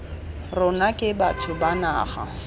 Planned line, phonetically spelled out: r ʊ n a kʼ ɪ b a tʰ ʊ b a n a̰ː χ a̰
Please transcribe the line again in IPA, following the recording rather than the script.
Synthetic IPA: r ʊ n a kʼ ɪ b a tʰ ʊ b a n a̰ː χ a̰